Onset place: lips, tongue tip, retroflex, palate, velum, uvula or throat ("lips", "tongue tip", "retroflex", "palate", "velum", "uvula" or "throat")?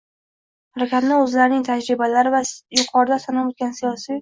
throat